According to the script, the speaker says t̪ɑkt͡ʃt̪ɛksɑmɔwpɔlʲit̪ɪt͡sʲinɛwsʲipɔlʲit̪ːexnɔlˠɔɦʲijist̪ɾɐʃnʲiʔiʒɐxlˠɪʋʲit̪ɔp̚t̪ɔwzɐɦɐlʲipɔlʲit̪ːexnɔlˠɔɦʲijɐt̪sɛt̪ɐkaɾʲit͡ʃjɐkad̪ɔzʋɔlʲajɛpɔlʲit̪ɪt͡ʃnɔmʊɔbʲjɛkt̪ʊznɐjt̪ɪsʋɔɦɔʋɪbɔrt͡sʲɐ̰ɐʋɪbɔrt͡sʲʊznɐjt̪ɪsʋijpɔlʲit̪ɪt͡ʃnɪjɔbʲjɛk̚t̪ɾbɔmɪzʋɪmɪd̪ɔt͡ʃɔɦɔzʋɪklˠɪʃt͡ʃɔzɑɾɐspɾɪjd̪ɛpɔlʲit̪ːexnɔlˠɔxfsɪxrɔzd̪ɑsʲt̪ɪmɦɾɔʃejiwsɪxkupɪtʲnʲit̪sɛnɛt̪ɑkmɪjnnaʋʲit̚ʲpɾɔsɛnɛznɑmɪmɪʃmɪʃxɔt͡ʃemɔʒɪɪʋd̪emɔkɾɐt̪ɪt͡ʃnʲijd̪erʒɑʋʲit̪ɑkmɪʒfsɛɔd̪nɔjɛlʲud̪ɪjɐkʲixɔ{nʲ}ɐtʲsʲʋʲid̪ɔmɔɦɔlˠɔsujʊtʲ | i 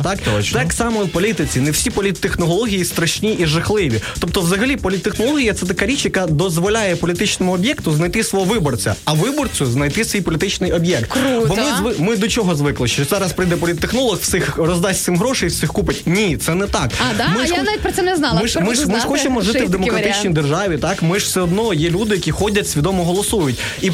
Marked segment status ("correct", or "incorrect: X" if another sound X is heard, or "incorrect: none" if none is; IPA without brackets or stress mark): incorrect: dʲ